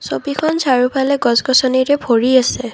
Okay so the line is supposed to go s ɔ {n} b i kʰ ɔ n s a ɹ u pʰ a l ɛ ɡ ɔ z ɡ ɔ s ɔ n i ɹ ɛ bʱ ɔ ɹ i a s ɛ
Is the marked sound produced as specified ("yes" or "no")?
no